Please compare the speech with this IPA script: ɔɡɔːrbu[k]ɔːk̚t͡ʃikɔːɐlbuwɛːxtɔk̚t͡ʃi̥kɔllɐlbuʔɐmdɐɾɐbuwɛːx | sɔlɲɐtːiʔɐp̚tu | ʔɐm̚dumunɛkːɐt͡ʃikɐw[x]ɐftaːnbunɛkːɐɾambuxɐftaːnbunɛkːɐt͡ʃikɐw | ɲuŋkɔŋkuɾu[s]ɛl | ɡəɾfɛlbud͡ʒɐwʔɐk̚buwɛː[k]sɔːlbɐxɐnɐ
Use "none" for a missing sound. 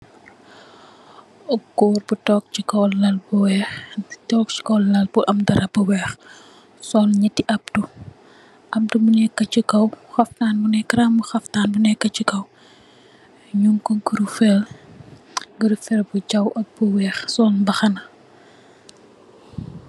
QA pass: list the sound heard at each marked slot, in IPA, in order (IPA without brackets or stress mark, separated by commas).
t, x, f, x